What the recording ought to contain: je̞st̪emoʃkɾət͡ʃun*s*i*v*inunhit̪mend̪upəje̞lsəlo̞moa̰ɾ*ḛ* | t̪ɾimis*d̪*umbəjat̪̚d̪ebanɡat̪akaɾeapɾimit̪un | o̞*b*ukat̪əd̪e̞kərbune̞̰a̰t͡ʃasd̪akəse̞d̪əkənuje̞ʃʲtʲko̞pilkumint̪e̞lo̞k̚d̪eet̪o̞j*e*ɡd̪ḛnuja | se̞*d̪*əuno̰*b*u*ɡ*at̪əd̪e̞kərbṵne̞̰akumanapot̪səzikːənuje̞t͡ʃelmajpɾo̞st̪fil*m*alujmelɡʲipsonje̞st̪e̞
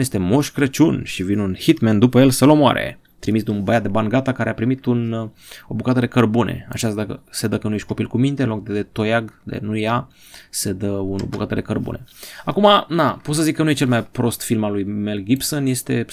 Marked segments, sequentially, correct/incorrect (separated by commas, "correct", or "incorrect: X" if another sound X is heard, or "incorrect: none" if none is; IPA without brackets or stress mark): incorrect: ʃ, correct, correct, correct, correct, incorrect: a, correct, correct, incorrect: k, correct